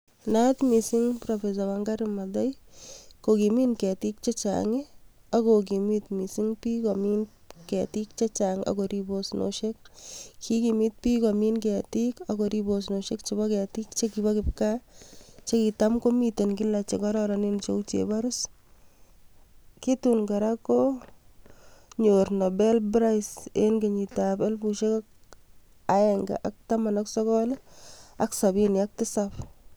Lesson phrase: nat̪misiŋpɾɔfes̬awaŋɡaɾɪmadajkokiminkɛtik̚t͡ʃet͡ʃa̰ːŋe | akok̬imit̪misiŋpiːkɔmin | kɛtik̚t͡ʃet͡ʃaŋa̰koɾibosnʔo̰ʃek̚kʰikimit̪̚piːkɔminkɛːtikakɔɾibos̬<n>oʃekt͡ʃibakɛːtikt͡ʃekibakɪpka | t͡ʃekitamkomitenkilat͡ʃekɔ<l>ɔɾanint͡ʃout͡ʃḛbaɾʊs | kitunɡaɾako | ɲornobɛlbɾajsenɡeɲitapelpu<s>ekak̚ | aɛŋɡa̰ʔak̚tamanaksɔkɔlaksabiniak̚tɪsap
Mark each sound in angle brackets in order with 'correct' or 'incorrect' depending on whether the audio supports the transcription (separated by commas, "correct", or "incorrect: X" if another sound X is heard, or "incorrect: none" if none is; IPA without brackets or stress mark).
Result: correct, incorrect: ɾ, incorrect: ʃ